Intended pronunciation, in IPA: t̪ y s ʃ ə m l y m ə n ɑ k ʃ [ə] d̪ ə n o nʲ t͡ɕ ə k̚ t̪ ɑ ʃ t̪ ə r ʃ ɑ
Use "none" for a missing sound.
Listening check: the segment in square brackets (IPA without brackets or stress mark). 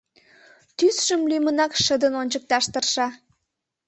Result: ə